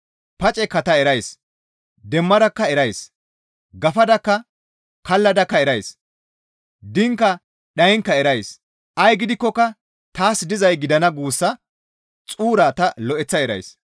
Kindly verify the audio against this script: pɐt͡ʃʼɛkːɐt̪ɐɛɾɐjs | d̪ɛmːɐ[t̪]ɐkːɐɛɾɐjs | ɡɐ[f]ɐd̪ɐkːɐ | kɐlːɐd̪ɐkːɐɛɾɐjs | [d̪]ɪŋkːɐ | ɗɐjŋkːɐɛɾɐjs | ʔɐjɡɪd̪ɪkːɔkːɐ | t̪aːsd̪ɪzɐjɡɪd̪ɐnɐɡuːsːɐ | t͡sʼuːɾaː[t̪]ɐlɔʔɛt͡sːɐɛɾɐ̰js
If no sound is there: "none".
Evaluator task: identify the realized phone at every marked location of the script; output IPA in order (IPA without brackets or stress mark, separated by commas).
d̪, f, d̪, t̪